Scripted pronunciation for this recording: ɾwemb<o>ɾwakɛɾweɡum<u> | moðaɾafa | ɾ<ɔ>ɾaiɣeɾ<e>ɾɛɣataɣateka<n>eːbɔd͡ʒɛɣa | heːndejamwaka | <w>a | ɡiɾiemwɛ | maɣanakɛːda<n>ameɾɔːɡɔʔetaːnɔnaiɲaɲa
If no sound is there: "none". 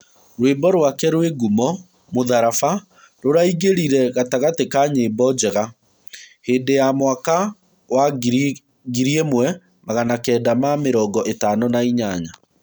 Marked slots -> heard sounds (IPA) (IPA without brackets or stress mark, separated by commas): ɔ, ɔ, o, i, ɲ, w, m